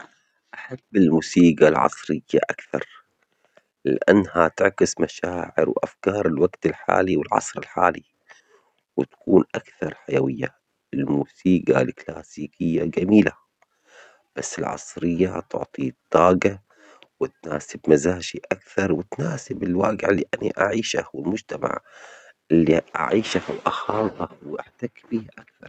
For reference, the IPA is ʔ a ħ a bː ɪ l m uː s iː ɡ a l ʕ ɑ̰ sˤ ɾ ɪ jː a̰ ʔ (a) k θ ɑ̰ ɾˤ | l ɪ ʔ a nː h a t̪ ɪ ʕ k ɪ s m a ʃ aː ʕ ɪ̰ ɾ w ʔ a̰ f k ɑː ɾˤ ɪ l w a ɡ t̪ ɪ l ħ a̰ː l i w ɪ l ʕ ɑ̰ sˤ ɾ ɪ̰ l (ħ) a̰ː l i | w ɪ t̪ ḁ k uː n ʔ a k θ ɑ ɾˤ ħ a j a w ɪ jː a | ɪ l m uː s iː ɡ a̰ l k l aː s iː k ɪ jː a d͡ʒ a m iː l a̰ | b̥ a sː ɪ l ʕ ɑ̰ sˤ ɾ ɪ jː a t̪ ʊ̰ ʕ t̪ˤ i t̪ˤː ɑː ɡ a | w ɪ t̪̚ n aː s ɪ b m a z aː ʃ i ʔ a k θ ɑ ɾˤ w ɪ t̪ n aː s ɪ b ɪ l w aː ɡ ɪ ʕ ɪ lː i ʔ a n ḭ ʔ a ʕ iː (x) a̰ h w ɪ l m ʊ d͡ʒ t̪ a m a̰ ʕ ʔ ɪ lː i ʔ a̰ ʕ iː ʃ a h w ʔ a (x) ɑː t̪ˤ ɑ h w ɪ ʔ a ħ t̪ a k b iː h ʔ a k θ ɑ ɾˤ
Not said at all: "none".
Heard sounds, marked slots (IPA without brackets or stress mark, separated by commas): a, ħ, ʃ, x